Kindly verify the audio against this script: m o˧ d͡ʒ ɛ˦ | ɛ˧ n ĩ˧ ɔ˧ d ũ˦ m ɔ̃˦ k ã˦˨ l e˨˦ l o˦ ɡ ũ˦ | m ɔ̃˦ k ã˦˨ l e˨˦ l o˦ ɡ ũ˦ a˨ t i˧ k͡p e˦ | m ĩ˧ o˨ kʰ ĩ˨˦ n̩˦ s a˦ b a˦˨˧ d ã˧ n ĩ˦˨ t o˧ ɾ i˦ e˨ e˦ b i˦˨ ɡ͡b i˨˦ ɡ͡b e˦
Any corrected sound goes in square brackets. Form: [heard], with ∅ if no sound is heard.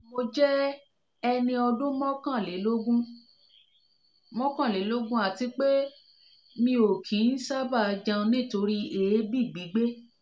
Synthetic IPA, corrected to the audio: m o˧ d͡ʒ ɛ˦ | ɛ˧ n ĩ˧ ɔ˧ d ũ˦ m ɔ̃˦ k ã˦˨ l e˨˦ l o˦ ɡ ũ˦ | m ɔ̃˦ k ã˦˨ l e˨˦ l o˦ ɡ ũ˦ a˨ t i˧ k͡p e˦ | m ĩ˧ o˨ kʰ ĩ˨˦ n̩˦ s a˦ b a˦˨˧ [d͡ʒ] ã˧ n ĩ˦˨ t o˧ ɾ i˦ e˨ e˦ b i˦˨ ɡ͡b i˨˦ ɡ͡b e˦